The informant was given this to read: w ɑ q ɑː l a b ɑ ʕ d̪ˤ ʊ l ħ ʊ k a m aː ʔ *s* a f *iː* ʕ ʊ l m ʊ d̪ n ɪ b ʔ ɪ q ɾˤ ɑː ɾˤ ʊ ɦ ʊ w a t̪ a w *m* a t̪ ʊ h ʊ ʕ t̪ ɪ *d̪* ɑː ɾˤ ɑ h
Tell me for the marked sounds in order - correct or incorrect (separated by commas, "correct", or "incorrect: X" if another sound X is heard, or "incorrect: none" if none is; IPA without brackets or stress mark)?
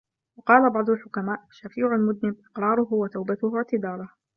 incorrect: ʃ, correct, incorrect: b, correct